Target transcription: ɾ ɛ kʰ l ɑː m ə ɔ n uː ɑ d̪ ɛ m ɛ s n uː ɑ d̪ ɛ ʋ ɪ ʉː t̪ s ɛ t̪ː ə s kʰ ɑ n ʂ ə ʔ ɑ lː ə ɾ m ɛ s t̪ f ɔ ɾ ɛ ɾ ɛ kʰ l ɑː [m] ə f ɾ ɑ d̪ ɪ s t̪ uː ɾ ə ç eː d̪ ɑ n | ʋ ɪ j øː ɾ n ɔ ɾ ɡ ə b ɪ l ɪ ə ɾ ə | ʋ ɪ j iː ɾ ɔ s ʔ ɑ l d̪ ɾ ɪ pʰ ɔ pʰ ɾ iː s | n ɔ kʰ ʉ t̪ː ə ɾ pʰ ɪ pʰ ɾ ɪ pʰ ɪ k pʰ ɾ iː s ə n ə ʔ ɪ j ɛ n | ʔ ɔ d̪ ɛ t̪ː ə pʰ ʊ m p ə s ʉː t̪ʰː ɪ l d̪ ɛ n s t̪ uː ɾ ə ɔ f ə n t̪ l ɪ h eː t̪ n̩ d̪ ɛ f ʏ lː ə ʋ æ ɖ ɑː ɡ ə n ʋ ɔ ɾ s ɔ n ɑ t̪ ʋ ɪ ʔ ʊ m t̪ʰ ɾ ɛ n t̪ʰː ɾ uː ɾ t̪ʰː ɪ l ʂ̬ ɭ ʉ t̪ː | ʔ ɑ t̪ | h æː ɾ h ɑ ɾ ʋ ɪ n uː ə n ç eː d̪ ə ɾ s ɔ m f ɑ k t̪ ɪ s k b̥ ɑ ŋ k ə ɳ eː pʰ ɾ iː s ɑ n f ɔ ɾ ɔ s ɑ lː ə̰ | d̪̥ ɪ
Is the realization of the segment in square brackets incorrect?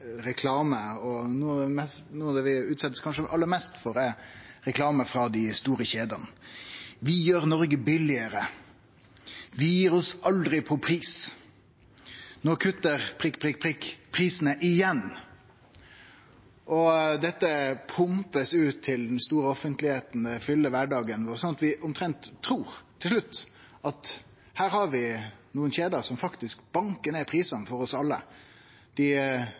no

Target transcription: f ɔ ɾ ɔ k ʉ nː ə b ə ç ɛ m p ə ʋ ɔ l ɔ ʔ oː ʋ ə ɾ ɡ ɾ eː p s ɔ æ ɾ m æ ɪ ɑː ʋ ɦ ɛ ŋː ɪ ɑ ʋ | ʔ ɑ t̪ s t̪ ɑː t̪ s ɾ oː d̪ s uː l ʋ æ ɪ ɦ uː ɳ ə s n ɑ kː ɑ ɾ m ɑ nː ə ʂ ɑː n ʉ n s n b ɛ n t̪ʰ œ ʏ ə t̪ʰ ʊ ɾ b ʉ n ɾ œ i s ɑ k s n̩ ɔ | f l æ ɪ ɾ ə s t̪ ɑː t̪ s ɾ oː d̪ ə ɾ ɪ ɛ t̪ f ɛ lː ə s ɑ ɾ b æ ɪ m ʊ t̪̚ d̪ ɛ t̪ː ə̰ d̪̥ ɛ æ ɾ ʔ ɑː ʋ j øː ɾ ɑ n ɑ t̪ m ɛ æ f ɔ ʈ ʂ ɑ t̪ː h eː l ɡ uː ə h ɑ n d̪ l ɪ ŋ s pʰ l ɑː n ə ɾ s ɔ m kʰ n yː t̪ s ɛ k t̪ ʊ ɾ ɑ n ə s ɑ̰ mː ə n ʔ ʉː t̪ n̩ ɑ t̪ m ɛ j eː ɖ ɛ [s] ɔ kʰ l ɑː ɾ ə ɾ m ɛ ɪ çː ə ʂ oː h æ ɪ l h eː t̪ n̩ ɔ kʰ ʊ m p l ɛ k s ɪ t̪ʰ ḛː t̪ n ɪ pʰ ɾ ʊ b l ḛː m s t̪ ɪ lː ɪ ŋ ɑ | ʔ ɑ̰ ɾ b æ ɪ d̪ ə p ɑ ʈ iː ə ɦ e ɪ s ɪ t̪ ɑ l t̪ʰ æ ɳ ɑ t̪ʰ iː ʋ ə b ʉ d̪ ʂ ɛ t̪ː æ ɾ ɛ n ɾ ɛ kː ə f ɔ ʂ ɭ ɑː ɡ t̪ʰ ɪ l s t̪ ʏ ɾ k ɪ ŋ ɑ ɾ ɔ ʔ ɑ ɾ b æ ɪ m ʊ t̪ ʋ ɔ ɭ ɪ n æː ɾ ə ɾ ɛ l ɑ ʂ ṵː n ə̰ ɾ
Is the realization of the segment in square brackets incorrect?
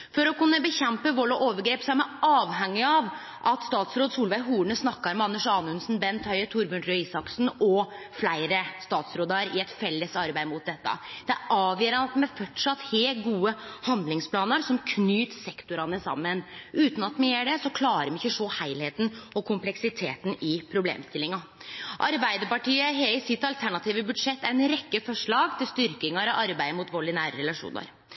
no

